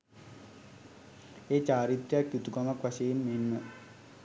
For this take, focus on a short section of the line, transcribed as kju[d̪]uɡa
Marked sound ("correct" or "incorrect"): incorrect